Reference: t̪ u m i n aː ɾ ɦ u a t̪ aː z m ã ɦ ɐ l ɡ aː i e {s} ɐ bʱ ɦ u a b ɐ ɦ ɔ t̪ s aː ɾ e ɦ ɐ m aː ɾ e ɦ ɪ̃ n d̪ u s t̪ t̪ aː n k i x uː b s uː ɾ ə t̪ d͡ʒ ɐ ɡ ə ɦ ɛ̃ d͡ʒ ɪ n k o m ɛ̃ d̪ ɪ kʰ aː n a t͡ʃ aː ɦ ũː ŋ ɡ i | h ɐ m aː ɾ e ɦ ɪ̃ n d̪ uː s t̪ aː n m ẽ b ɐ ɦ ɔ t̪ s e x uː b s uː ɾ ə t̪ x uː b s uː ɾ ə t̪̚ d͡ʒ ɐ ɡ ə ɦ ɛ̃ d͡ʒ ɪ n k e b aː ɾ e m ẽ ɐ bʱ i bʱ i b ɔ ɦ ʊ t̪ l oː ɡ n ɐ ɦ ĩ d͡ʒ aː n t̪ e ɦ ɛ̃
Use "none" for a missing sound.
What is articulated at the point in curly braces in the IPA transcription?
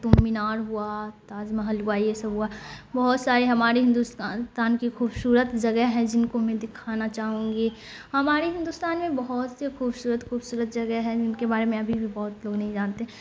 s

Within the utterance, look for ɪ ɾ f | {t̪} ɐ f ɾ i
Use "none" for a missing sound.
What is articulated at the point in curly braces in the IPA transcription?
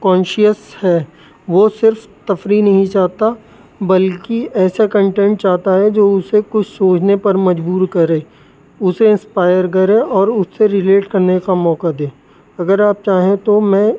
t̪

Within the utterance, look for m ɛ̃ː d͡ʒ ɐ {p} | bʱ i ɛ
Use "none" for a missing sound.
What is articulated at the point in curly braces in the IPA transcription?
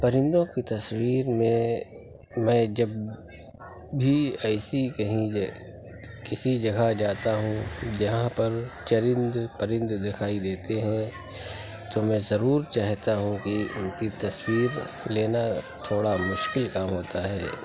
b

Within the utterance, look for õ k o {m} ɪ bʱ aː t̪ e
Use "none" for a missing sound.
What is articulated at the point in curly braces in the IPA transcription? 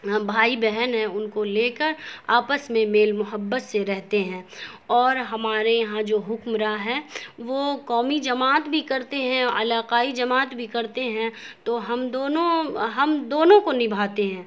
n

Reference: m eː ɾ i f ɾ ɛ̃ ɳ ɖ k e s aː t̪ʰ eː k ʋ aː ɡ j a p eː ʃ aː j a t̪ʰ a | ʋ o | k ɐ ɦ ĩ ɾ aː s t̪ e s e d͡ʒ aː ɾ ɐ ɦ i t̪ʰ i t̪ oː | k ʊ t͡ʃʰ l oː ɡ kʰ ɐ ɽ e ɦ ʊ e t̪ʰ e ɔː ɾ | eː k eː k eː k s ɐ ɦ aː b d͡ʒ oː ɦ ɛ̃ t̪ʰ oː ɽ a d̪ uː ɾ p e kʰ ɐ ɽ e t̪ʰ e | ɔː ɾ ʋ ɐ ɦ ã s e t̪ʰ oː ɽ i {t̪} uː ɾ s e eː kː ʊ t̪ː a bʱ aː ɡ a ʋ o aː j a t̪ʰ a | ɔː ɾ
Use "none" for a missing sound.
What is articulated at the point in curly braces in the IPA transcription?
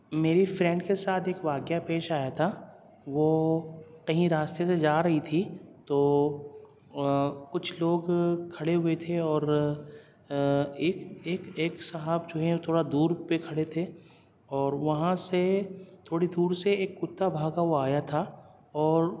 d̪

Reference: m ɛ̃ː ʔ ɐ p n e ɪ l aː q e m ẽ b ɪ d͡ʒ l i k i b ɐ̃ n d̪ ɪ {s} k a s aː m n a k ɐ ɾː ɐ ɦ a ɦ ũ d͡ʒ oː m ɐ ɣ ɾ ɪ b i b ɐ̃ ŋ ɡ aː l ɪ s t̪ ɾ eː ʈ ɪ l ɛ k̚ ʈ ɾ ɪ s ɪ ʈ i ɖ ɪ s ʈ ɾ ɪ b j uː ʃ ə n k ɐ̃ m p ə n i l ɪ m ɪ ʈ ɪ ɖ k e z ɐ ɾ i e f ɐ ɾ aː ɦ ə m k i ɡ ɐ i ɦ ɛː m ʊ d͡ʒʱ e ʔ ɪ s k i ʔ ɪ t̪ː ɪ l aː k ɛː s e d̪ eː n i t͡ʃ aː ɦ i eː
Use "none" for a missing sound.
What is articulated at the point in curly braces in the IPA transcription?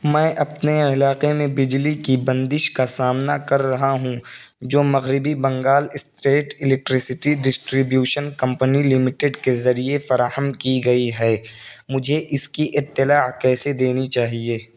ʃ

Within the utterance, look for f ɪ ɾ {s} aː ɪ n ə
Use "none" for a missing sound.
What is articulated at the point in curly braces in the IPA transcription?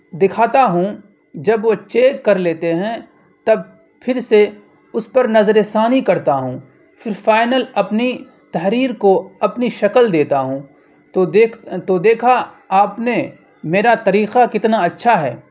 f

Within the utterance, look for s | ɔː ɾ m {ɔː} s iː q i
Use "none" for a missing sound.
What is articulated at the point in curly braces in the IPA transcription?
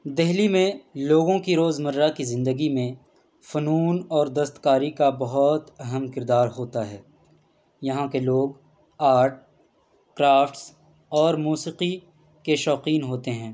uː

